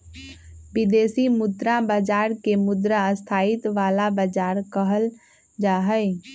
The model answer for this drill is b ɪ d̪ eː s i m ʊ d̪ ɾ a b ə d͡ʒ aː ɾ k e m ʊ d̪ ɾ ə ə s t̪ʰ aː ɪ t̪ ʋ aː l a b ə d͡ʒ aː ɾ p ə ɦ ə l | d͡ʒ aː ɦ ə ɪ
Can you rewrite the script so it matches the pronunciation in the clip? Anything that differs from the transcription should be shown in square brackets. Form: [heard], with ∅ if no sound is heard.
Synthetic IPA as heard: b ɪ d̪ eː s i m ʊ d̪ ɾ a b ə d͡ʒ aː ɾ k e m ʊ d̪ ɾ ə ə s t̪ʰ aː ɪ t̪ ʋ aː l a b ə d͡ʒ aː ɾ [k] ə ɦ ə l | d͡ʒ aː ɦ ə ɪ